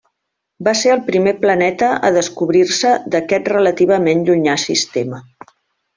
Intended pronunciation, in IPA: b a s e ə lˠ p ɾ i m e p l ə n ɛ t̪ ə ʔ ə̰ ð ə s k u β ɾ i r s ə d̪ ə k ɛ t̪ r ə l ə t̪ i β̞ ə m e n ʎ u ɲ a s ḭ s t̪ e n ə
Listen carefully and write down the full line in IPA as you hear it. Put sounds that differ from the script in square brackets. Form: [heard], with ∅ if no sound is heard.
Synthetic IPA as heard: b a s e ə lˠ p ɾ i m e p l ə n ɛ t̪ ə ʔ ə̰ ð ə s k u β ɾ i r s ə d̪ ə k ɛ t̪ r ə l ə t̪ i β̞ ə m e n ʎ u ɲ a s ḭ s t̪ e [m] ə